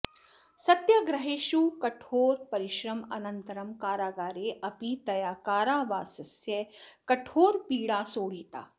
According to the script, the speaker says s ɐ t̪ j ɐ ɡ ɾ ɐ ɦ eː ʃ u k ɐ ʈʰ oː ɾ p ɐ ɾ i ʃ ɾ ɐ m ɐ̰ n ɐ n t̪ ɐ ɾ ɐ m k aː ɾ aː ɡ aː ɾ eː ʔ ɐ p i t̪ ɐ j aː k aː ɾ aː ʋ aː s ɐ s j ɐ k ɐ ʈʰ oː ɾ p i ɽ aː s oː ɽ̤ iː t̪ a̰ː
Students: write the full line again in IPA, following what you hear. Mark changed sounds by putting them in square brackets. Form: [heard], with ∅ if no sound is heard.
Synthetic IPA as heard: s ɐ t̪ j ɐ ɡ ɾ ɐ ɦ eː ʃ u k ɐ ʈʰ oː ɾ p ɐ ɾ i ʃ ɾ ɐ m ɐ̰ n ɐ n t̪ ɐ ɾ ɐ m k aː ɾ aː ɡ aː ɾ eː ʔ ɐ p i t̪ ɐ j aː k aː ɾ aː ʋ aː s ɐ s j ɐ k ɐ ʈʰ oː ɾ p [iː] ɽ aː s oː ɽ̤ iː t̪ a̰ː